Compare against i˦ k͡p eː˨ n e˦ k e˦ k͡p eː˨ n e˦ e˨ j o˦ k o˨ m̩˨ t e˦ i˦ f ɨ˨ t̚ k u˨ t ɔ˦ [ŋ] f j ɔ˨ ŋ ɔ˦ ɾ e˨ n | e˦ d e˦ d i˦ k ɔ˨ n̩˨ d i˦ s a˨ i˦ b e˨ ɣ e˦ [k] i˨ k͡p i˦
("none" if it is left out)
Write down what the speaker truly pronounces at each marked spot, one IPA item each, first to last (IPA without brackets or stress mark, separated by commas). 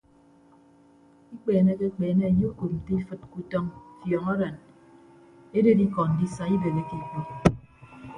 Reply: ŋ, k